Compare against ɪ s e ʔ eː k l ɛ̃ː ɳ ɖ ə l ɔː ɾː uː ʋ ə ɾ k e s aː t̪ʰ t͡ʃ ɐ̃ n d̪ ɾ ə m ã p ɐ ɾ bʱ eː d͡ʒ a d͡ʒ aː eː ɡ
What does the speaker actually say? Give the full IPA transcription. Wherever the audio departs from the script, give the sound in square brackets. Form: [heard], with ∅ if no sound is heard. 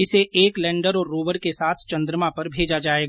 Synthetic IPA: ɪ s e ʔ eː k l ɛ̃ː ɳ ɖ ə [ɾ] ɔː ɾː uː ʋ ə ɾ k e s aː t̪ʰ t͡ʃ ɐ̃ n d̪ ɾ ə m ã p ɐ ɾ bʱ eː d͡ʒ a d͡ʒ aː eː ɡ